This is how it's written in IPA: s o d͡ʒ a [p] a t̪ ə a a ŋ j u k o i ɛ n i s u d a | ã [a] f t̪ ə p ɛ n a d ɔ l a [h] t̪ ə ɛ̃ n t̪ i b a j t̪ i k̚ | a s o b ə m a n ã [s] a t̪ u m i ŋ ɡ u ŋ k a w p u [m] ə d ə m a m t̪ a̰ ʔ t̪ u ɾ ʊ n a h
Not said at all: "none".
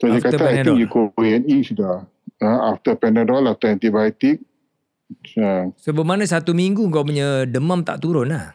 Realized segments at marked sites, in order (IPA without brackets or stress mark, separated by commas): k, a, f, s, ɲ